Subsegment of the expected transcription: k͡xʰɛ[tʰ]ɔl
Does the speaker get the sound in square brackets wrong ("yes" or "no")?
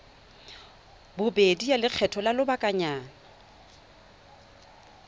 no